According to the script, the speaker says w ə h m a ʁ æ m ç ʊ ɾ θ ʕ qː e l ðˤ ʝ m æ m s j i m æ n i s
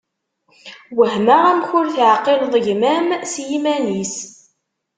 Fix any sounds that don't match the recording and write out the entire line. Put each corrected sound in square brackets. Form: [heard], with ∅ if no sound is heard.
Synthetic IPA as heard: w ə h m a ʁ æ m ç ʊ ɾ θ ʕ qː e l ðˤ ʝ m æ m s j i m æ n i s